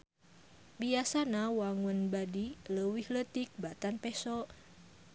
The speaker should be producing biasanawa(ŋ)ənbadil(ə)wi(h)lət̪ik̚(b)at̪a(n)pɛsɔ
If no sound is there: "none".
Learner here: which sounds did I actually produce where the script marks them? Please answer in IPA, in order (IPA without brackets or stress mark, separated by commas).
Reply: ŋ, ə, h, b, n